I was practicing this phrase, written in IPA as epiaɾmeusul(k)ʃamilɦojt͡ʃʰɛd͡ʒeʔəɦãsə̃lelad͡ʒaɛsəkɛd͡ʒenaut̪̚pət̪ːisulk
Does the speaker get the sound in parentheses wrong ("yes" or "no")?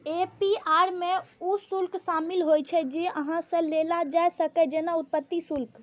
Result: no